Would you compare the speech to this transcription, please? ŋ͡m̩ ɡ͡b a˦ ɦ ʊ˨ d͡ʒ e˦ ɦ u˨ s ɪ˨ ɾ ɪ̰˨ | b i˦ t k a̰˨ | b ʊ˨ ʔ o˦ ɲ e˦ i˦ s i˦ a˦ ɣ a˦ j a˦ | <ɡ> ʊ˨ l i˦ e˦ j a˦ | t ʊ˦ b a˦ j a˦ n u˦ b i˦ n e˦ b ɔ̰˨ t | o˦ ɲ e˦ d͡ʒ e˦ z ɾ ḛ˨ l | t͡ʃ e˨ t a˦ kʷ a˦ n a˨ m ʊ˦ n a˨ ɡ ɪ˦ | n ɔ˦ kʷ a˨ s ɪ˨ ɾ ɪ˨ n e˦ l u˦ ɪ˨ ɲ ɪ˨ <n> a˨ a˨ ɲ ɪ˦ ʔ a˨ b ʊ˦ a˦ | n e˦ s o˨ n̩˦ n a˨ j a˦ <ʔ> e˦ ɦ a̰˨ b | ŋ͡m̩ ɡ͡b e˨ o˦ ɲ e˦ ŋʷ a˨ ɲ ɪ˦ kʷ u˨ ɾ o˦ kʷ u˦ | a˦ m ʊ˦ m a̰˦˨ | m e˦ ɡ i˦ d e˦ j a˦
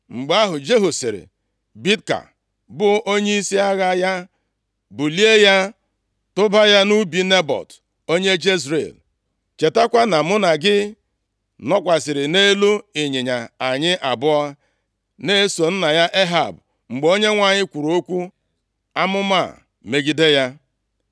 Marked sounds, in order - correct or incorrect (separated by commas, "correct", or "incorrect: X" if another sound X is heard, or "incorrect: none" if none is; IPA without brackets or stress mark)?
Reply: incorrect: b, incorrect: ɲ, correct